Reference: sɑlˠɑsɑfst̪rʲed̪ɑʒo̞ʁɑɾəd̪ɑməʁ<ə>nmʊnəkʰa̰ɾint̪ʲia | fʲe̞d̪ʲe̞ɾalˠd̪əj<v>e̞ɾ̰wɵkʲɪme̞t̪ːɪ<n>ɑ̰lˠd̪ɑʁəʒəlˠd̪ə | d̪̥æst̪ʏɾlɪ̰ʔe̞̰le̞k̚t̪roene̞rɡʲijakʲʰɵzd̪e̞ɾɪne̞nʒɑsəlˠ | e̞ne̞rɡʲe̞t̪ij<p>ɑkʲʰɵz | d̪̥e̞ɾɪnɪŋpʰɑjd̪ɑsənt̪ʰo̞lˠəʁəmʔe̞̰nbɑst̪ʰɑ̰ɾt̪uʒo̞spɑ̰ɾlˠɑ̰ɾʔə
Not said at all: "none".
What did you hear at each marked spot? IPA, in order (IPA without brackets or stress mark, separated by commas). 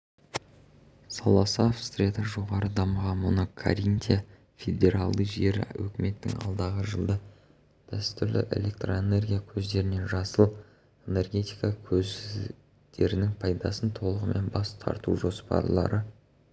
ɑ, ʒ, ŋ, k